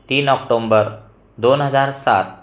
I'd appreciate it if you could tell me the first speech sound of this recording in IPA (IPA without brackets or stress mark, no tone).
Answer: t̪